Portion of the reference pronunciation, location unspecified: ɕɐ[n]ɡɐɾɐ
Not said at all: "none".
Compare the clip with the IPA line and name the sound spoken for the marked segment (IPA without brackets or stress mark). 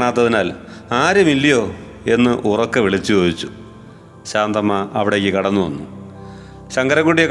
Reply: ŋ